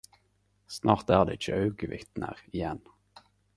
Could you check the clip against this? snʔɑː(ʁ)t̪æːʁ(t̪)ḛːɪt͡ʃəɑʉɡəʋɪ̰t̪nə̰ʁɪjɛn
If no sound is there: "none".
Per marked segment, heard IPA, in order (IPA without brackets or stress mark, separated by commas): ʁ, d̪